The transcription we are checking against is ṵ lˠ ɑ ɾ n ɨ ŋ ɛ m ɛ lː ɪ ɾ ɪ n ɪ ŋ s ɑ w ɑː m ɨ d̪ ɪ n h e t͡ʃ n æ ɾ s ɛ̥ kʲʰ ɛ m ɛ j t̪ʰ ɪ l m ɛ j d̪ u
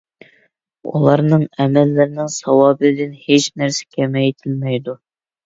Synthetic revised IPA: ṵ lˠ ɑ ɾ n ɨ ŋ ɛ m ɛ lː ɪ ɾ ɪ n ɪ ŋ s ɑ w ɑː b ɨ d̪ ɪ n h e t͡ʃ n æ ɾ s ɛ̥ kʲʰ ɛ m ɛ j t̪ʰ ɪ l m ɛ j d̪ u